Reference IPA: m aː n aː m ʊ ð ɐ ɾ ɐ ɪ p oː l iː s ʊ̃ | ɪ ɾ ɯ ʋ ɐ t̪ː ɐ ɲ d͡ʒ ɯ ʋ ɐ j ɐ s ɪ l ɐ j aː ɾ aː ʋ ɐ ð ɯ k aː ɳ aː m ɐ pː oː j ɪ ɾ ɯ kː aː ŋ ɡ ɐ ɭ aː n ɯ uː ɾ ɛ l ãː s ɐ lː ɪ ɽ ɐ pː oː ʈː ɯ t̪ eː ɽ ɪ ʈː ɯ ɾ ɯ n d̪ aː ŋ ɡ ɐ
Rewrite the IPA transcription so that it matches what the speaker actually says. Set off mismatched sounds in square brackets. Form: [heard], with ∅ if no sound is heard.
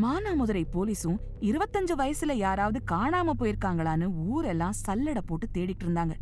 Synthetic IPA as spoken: m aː n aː m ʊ ð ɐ ɾ ɐ ɪ p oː l iː s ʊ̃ | ɪ ɾ ɯ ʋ ɐ t̪ː ɐ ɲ d͡ʒ ɯ ʋ ɐ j ɐ s ɪ l ɐ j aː ɾ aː ʋ ɐ ð ɯ k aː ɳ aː m ɐ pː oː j ɪ ɾ ɯ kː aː ŋ ɡ ɐ ɭ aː n ɯ uː ɾ ɛ [lː] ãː s ɐ lː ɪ ɽ ɐ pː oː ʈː ɯ t̪ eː ɽ ɪ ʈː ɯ ɾ ɯ n d̪ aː ŋ ɡ ɐ